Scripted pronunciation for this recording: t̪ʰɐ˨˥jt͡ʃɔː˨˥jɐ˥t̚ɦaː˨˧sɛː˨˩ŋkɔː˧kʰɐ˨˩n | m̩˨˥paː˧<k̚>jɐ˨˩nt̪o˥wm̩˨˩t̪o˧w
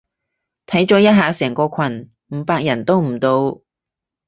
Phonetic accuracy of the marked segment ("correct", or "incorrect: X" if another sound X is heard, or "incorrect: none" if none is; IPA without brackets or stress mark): correct